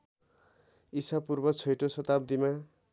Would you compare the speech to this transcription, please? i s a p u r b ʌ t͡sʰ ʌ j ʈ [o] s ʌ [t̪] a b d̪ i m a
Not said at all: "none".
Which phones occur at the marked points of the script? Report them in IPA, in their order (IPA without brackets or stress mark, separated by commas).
o, t̪